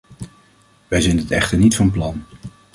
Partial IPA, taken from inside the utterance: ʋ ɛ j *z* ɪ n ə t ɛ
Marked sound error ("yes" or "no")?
no